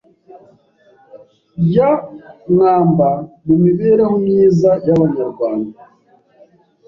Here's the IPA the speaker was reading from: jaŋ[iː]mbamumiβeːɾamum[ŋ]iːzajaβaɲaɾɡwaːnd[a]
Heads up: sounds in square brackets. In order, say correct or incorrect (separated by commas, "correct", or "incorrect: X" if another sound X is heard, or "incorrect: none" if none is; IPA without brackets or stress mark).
incorrect: aː, incorrect: ɲ, correct